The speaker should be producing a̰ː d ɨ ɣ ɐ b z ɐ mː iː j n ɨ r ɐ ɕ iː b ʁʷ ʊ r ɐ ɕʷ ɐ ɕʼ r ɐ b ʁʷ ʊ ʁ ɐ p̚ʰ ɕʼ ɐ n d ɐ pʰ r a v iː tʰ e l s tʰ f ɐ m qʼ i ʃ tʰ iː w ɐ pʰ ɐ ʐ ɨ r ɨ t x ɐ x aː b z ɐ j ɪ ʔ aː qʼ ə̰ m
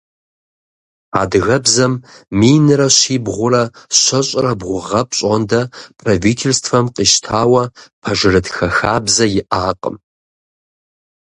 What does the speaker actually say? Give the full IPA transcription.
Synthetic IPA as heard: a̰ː d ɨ ɣ ɐ b z ɐ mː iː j n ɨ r ɐ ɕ iː b ʁʷ ʊ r ɐ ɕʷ ɐ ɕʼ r ɐ b ʁʷ ʊ ʁ ɐ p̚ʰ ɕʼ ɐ n d ɐ pʰ r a v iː tʰ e l s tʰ f ɐ m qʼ i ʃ tʰ aː w ɐ pʰ ɐ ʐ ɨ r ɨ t x ɐ x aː b z ɐ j ɪ ʔ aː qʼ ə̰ m

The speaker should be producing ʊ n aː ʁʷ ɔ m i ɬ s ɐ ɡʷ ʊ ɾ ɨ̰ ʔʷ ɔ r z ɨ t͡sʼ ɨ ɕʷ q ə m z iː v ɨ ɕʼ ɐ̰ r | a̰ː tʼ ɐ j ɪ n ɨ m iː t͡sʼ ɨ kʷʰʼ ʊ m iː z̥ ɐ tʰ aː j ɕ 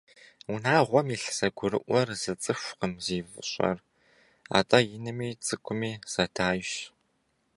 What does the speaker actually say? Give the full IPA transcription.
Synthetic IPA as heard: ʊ n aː ʁʷ ɔ m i ɬ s ɐ ɡʷ ʊ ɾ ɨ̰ ʔʷ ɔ r z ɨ t͡sʼ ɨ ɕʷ q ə m z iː v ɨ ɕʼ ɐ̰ r | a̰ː tʼ ɐ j ɪ n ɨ m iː t͡sʼ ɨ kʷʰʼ ʊ m iː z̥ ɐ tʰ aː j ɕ

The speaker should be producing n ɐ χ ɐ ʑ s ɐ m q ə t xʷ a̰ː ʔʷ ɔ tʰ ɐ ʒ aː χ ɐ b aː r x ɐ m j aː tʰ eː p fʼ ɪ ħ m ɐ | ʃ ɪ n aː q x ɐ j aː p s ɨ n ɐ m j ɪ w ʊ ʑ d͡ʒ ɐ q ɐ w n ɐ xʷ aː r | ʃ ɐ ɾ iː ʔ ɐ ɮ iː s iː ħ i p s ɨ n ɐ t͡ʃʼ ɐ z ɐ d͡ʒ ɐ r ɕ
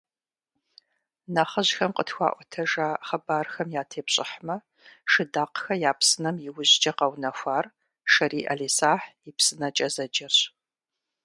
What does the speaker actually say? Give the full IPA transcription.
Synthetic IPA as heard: n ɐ χ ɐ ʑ x ɐ m q ə t xʷ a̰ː ʔʷ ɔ tʰ ɐ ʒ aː χ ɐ b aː r x ɐ m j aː tʰ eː p ɕʼ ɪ ħ m ɐ | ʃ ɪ d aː q x ɐ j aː p s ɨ n ɐ m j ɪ w ʊ ʑ d͡ʒ ɐ q ɐ w n ɐ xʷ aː r | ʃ ɐ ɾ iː ʔ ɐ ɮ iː s aː ħ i p s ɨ n ɐ t͡ʃʼ ɐ z ɐ d͡ʒ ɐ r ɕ

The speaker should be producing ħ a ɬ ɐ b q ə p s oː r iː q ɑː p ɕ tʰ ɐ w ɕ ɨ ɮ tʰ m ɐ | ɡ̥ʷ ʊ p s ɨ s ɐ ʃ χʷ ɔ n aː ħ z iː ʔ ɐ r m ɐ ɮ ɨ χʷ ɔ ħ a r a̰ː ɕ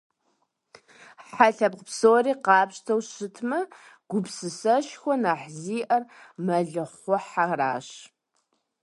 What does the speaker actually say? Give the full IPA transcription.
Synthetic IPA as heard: ħ a ɬ ɐ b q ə p s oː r iː q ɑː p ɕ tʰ ɐ w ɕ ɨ tʰ m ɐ | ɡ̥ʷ ʊ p s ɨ s ɐ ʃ xʷ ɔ n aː ħ z iː ʔ ɐ r m ɐ ɮ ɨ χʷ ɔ ħ a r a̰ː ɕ

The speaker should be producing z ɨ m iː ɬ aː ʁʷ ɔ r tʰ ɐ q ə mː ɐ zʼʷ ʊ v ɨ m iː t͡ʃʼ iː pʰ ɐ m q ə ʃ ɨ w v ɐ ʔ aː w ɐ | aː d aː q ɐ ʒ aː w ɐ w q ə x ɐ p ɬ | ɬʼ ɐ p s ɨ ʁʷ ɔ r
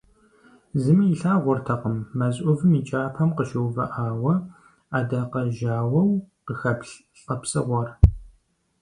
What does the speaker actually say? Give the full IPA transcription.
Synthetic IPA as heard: z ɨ m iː ɬ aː ʁʷ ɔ r tʰ ɐ q ə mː ɐ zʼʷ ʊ v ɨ m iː t͡ʃʼ aː pʰ ɐ m q ə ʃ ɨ w v ɐ ʔ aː w ɐ | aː d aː q ɐ ʒ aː w ɐ w q ə x ɐ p ɬ | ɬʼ ɐ p s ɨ ʁʷ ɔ r

